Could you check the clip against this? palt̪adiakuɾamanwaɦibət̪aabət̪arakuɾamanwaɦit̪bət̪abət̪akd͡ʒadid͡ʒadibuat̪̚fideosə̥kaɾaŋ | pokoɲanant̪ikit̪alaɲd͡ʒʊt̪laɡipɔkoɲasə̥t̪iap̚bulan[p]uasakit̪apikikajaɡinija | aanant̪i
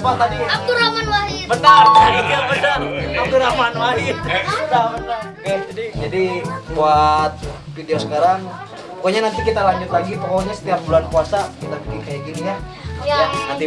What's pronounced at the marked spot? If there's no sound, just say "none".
k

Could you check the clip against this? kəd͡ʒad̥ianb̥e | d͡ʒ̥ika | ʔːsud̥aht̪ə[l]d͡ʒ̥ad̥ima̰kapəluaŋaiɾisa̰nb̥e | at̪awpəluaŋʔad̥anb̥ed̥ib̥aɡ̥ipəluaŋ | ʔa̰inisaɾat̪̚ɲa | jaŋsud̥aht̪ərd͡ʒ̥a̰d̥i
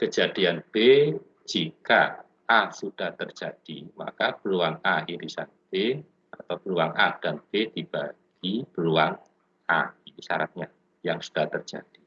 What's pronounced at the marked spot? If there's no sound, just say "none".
r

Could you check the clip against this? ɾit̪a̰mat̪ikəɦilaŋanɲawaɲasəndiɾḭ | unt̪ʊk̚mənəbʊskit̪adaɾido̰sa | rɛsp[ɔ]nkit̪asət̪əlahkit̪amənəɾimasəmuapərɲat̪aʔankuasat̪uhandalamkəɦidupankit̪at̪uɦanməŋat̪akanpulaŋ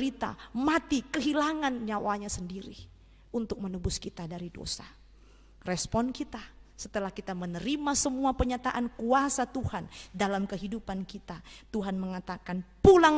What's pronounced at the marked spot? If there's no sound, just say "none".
ɔ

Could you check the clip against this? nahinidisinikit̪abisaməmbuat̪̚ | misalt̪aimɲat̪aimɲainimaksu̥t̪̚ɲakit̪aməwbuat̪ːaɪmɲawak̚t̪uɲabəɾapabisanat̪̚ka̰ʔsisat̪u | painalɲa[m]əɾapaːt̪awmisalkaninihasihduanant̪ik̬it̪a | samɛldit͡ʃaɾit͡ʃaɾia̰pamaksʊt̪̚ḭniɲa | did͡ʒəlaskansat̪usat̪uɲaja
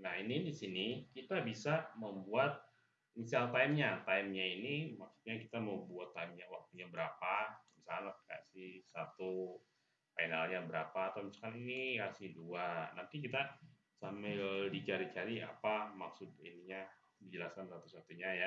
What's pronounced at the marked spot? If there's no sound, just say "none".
b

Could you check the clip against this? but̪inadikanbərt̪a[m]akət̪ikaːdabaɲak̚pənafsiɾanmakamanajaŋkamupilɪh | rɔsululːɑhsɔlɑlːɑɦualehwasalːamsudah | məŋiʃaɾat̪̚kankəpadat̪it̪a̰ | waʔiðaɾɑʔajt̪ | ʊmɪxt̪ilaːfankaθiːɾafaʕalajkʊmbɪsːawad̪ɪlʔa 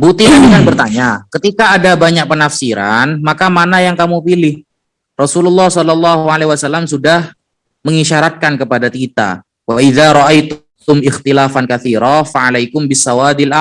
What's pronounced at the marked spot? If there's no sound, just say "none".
ɲ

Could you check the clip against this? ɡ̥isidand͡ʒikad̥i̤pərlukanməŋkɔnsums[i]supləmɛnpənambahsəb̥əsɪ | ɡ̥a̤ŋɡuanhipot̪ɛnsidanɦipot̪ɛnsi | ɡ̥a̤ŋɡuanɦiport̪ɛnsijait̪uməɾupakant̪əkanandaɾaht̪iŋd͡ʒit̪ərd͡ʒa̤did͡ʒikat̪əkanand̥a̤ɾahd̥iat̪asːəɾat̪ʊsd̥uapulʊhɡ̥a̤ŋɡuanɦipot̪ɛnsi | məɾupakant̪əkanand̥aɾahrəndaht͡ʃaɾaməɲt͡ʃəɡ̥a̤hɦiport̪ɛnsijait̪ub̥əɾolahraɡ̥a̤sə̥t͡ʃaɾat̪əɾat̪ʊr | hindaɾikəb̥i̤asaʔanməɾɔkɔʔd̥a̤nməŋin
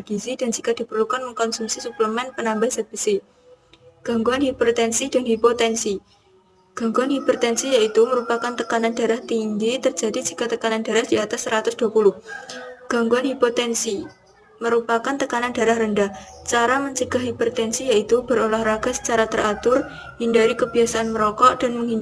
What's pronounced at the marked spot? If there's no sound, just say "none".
i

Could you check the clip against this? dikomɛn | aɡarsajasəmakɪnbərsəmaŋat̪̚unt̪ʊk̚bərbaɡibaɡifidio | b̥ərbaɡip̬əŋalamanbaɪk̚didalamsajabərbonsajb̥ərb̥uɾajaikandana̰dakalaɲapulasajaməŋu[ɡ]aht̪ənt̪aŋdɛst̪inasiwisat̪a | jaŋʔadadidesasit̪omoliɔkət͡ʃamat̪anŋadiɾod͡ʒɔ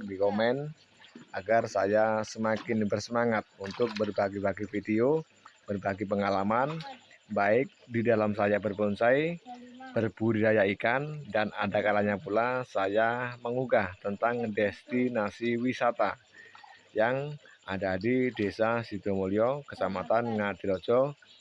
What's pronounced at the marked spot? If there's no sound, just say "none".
ɡ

